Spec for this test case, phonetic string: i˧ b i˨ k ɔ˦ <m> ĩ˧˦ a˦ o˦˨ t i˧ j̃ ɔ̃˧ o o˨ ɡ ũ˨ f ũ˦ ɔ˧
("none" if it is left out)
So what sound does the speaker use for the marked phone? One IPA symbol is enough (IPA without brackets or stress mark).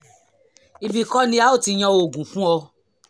n